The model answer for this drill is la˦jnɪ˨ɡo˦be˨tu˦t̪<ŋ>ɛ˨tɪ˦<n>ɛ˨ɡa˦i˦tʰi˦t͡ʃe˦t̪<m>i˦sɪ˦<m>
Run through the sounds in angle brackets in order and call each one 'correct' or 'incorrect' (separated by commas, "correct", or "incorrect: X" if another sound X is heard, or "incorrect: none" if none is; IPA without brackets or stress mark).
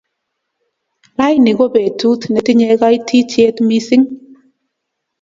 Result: incorrect: n, incorrect: ɲ, correct, incorrect: ŋ